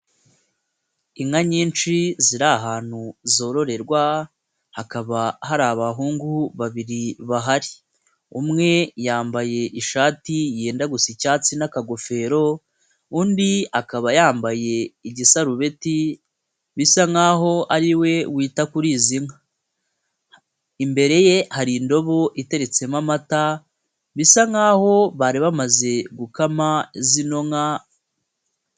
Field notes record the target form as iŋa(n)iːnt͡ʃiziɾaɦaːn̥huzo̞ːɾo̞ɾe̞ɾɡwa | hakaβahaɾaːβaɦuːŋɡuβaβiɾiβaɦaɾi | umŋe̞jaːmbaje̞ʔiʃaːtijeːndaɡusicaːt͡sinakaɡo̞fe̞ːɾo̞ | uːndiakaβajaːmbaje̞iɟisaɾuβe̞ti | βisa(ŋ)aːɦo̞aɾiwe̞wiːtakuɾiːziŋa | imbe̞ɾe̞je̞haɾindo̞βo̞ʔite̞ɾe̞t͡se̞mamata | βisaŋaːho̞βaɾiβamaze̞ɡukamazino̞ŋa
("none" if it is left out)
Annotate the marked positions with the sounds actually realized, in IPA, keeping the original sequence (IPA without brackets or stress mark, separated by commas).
ɲ, ŋ